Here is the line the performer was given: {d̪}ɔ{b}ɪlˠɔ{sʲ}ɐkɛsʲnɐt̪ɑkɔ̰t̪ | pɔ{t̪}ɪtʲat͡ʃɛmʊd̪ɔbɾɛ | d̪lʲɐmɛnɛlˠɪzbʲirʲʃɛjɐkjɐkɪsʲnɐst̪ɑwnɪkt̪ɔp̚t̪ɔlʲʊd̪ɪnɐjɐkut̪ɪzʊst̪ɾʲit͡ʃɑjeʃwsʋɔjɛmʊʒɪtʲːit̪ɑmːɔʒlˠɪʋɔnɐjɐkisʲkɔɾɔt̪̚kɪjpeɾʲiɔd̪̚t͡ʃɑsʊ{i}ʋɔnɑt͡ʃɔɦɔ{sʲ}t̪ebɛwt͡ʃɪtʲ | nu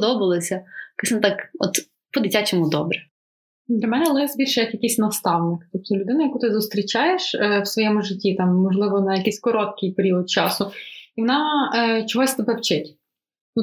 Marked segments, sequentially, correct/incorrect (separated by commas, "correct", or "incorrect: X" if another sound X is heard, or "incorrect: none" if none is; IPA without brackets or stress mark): correct, correct, correct, incorrect: d̪, correct, correct